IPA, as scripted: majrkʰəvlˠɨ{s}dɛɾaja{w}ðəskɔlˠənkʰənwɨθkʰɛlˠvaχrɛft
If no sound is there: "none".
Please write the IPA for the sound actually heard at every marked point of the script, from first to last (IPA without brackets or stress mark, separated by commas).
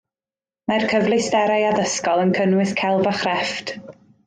s, none